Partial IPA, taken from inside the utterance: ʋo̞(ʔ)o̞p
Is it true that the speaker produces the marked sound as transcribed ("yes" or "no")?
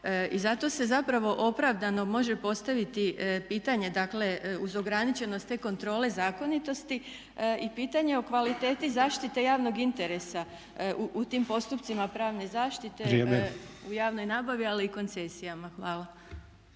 yes